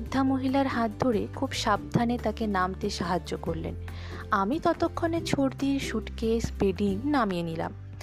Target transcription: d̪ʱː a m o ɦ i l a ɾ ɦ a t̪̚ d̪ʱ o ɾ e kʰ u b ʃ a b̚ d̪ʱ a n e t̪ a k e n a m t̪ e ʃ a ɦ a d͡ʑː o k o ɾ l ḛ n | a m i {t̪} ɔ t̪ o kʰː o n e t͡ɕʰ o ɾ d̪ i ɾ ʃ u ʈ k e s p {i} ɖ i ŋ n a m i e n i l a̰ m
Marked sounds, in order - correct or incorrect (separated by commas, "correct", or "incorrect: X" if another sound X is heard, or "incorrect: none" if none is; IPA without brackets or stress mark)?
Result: correct, incorrect: e